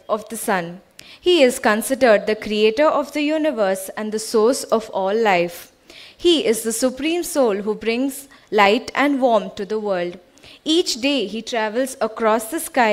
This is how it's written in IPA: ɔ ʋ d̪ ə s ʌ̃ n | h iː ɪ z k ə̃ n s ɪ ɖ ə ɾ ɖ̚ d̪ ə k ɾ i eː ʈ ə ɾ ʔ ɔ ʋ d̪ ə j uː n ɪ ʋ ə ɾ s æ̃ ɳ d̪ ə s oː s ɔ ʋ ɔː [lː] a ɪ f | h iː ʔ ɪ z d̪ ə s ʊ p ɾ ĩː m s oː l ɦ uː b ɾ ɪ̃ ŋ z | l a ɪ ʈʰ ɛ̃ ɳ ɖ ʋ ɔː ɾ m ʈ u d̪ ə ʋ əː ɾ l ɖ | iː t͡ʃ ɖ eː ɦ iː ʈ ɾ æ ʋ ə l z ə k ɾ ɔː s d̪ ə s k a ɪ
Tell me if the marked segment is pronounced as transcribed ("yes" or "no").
yes